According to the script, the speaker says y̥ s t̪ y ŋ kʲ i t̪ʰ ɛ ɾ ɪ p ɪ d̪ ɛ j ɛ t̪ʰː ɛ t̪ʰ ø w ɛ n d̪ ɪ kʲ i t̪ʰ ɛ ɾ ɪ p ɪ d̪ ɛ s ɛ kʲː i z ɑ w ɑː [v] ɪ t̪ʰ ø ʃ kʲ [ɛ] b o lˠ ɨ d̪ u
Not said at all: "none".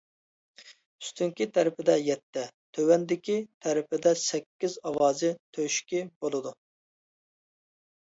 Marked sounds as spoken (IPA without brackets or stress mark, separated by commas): z, i